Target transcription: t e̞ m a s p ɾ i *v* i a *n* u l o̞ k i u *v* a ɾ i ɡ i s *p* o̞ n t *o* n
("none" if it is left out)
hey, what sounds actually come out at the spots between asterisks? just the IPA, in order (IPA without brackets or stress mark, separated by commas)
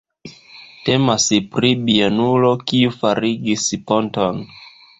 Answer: b, n, f, p, o